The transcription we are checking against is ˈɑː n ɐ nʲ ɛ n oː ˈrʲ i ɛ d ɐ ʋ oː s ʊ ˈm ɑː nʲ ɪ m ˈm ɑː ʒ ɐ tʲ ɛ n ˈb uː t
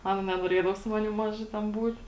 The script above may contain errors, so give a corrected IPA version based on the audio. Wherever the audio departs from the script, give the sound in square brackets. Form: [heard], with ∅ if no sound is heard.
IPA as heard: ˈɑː n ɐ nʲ ɛ n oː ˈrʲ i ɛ d ɐ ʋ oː s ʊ ˈm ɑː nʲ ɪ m ˈm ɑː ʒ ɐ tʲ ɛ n ˈb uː t